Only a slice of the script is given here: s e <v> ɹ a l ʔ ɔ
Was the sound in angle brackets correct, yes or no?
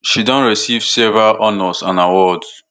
yes